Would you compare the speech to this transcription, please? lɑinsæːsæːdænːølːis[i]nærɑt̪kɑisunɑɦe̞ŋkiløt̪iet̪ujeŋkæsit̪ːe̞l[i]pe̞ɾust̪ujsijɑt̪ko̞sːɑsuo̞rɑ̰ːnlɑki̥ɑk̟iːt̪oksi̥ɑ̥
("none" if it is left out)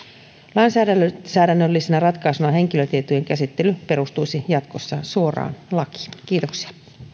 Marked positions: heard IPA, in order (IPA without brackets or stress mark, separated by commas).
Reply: e, y